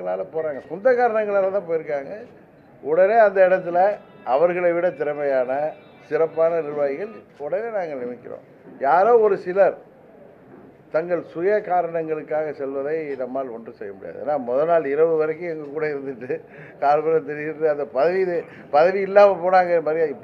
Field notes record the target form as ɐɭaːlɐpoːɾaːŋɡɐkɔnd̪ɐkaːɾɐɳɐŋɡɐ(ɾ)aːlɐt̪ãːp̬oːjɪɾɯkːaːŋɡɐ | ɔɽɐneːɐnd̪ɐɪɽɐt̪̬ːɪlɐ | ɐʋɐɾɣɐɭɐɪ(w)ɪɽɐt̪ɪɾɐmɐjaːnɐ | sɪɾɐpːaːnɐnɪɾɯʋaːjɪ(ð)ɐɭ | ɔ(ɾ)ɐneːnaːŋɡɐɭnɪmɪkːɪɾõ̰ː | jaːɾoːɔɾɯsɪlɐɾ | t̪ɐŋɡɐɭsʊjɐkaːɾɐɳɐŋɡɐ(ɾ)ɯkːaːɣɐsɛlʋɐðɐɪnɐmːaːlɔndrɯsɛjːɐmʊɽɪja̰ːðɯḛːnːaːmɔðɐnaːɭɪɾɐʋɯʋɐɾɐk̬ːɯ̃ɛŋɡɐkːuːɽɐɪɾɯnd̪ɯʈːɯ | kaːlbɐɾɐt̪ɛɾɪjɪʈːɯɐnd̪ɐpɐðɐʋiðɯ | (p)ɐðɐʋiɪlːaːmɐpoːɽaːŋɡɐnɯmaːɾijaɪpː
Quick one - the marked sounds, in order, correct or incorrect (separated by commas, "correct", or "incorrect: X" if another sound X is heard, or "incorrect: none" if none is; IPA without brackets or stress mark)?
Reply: incorrect: ɭ, incorrect: ʋ, incorrect: ɣ, incorrect: ɽ, incorrect: ɭ, correct